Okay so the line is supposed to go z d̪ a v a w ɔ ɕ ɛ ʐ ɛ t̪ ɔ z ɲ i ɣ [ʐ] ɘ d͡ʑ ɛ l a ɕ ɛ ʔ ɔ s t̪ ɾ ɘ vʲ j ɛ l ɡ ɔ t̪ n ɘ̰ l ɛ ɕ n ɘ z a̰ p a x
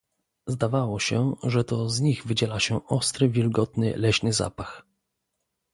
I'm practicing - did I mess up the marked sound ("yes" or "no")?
yes